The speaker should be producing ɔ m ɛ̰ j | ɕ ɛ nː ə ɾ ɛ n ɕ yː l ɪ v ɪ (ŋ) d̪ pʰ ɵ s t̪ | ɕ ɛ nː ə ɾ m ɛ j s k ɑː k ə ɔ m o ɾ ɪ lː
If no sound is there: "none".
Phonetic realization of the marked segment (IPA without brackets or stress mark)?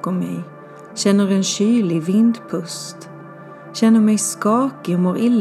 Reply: n